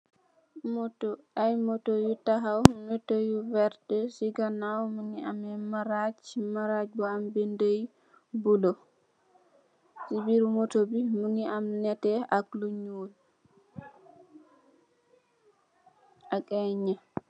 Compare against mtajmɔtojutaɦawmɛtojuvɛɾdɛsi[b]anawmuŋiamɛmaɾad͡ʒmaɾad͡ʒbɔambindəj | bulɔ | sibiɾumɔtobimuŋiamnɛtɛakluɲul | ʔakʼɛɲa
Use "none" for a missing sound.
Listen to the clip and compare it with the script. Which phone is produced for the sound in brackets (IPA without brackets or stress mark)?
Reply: ɡ